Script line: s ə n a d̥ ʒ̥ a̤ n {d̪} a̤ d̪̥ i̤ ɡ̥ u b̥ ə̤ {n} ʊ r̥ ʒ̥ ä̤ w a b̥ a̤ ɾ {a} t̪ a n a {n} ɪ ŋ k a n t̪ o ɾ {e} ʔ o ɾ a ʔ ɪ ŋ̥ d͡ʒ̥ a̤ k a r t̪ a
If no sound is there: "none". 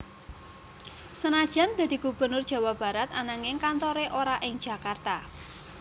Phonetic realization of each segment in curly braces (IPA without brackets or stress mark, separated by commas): d̪, n, a, ŋ, e